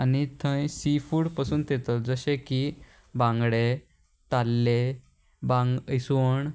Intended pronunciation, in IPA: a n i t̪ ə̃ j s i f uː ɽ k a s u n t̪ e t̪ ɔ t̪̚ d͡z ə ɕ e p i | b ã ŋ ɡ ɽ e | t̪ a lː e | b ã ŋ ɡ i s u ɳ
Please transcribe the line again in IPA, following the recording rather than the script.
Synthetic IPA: a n i t̪ʰ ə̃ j s i f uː ɽ p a s uː n t̪ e t̪ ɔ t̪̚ d͡z ə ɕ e k i | b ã ŋ ɡ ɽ e | t̪ a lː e | b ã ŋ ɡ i s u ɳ

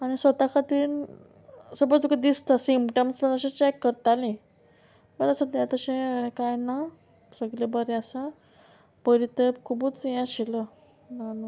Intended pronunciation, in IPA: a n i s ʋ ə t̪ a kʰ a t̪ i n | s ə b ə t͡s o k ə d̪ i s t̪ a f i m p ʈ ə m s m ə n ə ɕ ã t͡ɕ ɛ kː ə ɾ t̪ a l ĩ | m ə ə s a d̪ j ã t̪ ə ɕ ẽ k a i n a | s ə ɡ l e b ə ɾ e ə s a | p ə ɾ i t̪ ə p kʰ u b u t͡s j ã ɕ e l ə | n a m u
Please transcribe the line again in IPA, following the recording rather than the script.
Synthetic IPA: a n i s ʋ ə t̪ a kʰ a t̪ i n | s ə b ə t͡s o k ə d̪ i s t̪ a s i m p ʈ ə m s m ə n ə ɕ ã t͡ɕ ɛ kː ə ɾ t̪ a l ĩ | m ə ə s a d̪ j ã t̪ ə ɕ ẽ k a j n a | s ə ɡ l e b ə ɾ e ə s a | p ə ɾ i t̪ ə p kʰ u b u t͡s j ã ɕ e l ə | n a n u

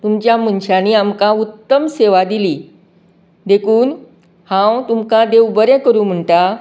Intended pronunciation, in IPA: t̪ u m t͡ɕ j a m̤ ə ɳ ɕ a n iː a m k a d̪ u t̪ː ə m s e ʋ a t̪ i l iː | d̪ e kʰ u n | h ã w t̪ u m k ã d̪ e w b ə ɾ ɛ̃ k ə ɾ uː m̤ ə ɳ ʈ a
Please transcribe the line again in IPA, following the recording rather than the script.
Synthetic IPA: t̪ u m t͡ɕ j a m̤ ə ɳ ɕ a n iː a m k a u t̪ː ə m s e ʋ a d̪ i l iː | d̪ e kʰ uː n | h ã w t̪ u m k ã d̪ e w b ə ɾ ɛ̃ k ə ɾ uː m̤ ə ɳ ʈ a

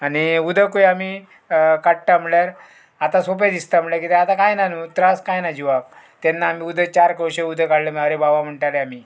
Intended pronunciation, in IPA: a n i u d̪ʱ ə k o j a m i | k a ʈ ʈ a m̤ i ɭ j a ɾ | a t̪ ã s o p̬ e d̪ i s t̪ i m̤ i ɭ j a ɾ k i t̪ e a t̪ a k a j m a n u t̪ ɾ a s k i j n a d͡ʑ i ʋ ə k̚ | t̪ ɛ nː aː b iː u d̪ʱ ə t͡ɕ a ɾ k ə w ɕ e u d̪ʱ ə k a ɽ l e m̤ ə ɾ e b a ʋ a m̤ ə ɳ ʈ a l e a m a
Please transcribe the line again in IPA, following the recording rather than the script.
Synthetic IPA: a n i u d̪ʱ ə k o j a m i | k a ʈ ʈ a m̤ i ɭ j a ɾ | a t̪ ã s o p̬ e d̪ i s t̪ a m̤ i ɭ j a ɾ k i t̪ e a t̪ a k a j n a n u t̪ ɾ a s k a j n a d͡ʑ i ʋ a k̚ | t̪ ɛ nː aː m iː u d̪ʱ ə t͡ɕ a ɾ k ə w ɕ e u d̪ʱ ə k a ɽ l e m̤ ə ɾ e b a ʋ a m̤ ə ɳ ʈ a l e a m i

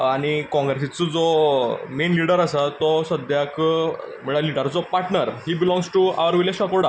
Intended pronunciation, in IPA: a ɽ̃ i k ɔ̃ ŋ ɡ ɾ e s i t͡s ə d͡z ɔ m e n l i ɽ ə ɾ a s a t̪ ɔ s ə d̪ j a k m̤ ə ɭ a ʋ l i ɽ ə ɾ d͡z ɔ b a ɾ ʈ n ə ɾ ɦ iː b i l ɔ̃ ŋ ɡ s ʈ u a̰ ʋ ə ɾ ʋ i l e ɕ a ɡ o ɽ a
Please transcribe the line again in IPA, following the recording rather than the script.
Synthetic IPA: a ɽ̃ i k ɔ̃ ŋ ɡ ɾ e s i t͡s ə d͡z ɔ m e n l i ɽ ə ɾ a s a t̪ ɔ s ə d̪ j a k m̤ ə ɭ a l i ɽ ə ɾ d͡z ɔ p a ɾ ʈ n ə ɾ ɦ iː b i l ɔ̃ ŋ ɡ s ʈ u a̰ ʋ ə ɾ ʋ i l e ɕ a k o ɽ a

